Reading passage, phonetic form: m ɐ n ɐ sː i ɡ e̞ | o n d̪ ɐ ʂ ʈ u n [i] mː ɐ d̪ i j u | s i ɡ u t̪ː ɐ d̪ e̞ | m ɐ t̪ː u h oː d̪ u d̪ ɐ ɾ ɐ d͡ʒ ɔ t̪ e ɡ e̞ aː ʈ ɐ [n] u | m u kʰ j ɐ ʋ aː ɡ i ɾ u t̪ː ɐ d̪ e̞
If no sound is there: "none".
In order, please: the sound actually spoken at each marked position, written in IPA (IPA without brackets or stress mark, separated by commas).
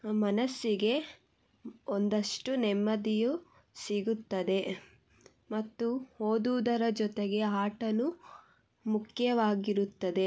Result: ɛ, n